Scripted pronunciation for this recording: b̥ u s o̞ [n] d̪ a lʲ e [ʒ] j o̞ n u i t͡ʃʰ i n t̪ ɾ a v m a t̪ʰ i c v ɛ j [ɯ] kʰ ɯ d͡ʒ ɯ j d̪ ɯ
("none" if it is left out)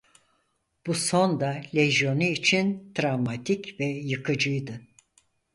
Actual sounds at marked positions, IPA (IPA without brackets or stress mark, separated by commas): n, ʒ, ɯ